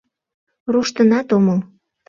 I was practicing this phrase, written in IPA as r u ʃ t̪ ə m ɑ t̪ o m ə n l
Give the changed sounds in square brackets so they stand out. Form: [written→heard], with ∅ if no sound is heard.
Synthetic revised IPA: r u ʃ t̪ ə [m→n] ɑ t̪ o m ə [n→∅] l